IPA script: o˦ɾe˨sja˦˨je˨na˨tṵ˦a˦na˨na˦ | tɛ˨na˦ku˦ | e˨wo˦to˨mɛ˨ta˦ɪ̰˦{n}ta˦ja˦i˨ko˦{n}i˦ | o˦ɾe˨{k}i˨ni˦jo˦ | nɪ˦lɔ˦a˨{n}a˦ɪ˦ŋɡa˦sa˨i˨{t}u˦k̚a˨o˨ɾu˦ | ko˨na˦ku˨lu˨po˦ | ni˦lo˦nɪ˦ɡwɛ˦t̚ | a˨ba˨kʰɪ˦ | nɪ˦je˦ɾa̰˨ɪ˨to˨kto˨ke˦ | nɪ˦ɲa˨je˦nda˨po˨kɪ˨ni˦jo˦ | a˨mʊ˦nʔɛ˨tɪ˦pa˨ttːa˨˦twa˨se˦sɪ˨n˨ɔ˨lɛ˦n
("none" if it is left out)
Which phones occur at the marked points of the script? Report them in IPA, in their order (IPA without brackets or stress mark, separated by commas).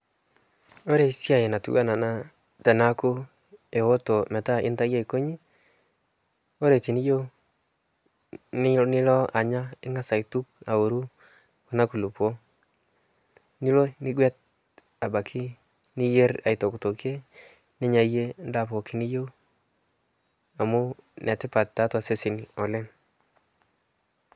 n, ɲ, t, ɲ, t